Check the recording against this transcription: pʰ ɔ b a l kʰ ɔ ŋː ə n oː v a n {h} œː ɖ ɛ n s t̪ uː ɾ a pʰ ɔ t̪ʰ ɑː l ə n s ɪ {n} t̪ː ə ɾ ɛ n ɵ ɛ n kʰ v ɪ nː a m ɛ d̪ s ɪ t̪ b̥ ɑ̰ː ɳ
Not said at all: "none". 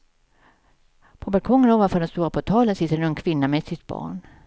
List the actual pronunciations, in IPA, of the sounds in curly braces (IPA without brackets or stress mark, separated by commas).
f, none